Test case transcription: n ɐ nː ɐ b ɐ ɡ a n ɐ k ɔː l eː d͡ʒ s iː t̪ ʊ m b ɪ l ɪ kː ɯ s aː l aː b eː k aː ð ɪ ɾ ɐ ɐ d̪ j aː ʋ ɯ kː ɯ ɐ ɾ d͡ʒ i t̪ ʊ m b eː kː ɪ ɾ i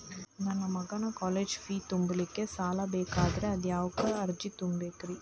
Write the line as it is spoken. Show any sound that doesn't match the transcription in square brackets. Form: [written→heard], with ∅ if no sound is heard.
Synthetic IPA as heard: n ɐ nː ɐ [b→m] ɐ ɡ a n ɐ k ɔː l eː d͡ʒ [s→f] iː t̪ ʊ m b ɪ l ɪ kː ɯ s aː l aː b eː k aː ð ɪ ɾ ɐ ɐ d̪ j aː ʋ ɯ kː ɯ ɐ ɾ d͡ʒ i t̪ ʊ m b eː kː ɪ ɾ i